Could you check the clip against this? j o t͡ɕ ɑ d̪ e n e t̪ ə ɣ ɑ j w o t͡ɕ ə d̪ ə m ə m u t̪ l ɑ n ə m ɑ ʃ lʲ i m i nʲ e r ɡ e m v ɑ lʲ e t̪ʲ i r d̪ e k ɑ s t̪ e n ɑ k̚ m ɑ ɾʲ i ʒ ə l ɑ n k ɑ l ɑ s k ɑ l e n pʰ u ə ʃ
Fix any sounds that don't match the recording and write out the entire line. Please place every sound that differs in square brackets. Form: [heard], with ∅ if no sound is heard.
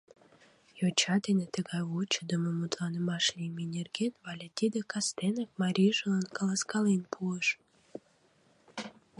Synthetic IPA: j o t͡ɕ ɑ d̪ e n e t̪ ə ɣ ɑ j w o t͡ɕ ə d̪ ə m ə m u t̪ l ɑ n ə m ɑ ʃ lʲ i m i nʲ e r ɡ e [n] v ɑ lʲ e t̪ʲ i [∅] d̪ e k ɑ s t̪ e n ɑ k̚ m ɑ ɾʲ i ʒ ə l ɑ n k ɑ l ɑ s k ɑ l e n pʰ u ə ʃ